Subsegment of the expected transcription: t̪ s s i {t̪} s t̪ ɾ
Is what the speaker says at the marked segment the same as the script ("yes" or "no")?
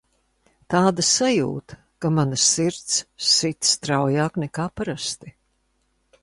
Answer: yes